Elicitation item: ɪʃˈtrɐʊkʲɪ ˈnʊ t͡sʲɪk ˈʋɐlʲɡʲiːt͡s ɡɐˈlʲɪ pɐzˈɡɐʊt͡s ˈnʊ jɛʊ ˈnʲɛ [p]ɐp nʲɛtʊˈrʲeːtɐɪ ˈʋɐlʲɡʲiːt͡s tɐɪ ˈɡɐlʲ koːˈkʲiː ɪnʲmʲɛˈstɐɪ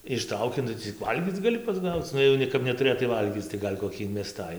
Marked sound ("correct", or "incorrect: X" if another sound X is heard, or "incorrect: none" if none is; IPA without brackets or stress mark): incorrect: k